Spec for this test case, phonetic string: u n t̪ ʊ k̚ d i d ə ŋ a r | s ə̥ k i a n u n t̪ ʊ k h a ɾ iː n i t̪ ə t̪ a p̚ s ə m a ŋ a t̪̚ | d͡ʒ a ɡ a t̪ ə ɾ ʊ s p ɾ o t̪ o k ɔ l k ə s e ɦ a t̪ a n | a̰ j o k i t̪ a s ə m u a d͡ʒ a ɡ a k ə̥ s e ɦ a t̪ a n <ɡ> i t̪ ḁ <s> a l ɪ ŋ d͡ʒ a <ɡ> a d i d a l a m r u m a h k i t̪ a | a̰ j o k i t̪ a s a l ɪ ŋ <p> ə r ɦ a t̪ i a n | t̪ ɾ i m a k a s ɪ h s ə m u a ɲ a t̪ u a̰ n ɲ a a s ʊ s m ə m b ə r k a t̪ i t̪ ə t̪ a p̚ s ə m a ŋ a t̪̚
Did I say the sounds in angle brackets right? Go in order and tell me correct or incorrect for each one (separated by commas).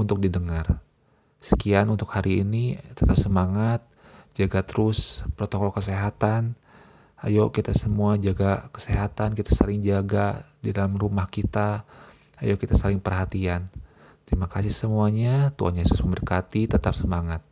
incorrect, correct, correct, correct